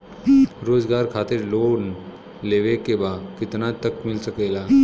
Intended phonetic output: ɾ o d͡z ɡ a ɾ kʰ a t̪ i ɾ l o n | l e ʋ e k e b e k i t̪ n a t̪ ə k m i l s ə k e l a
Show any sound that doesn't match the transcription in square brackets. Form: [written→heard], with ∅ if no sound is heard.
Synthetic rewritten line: ɾ o d͡z ɡ a ɾ kʰ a t̪ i ɾ l o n | l e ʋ e k e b [e→a] k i t̪ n a t̪ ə k m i l s ə k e l a